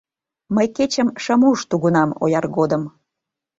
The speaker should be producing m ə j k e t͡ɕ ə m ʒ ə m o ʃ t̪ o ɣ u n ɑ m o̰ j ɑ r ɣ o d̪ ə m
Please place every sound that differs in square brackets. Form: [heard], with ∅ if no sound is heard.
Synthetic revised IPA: m ə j k e t͡ɕ ə m [ʃ] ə m [u] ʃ t̪ [u] ɣ u n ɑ m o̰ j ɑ r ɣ o d̪ ə m